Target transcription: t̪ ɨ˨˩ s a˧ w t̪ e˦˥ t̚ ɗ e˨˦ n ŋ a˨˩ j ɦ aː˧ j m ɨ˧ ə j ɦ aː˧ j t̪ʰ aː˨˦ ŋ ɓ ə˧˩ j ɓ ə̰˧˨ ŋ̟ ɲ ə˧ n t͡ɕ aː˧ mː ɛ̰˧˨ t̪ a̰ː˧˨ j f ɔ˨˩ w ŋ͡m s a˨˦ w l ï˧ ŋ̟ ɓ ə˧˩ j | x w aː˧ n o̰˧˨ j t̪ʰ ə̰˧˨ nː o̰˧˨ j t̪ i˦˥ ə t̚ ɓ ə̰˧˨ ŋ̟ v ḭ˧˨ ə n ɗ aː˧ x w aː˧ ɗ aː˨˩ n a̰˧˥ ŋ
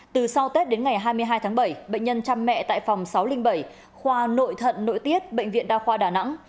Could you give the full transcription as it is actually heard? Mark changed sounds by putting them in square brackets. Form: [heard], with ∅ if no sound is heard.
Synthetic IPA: t̪ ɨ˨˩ s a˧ w t̪ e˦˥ t̚ ɗ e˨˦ n ŋ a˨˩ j ɦ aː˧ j m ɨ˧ ə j ɦ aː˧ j t̪ʰ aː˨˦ ŋ ɓ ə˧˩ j ɓ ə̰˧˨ ŋ̟ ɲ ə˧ n t͡ɕ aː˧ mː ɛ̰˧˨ t̪ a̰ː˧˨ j f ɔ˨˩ w ŋ͡m s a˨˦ w l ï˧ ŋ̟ ɓ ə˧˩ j | x w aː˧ n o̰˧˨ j t̪ʰ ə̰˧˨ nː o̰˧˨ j t̪ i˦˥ ə t̚ ɓ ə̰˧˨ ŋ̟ v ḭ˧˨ ə n ɗ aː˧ x w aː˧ ɗ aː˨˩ n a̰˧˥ ŋ